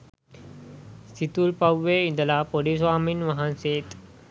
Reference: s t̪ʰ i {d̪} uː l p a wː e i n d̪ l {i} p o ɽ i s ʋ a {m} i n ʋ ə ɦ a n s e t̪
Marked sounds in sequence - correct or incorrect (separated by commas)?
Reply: incorrect, incorrect, correct